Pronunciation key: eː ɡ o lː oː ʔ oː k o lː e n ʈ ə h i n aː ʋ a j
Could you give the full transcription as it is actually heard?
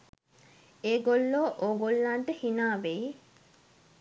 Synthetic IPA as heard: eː ɡ o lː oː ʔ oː ɡ o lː a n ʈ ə h i n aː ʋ e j